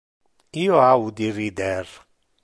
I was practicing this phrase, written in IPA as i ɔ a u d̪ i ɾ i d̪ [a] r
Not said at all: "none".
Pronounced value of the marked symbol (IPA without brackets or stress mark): ɛ